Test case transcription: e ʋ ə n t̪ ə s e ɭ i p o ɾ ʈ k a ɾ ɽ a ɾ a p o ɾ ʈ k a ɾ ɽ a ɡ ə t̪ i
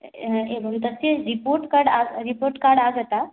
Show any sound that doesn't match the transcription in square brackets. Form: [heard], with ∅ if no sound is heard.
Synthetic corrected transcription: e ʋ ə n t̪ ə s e [ɾ] i p o ɾ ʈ k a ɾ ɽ a ɾ [i] p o ɾ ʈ k a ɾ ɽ a ɡ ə t̪ [a]